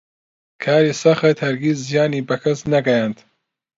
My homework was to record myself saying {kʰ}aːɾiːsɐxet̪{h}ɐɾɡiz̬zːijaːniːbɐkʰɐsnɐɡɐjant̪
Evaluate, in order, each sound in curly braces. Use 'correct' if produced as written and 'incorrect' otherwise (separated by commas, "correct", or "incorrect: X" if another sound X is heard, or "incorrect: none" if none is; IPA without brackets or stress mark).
correct, correct